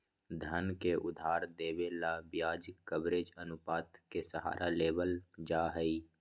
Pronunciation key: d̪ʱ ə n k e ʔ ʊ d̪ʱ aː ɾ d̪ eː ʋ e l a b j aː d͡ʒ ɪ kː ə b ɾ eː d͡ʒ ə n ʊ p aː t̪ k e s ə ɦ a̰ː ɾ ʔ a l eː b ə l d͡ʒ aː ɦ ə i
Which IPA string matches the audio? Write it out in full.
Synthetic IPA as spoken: d̪ʱ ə n k e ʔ ʊ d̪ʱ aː ɾ d̪ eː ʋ e l a b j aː d͡ʒ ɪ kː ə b ɾ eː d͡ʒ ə n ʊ p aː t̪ k e s ə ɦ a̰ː ɾ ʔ a l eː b ə l d͡ʒ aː ɦ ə i